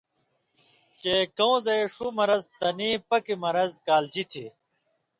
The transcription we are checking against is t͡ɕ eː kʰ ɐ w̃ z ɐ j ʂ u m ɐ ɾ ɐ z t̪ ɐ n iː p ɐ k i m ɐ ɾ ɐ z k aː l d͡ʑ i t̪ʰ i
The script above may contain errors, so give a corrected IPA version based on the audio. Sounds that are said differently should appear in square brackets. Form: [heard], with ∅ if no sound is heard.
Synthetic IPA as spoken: t͡ɕ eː [k] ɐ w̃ z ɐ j ʂ u m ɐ ɾ ɐ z t̪ ɐ n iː p ɐ k i m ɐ ɾ ɐ z k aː l d͡ʑ i t̪ʰ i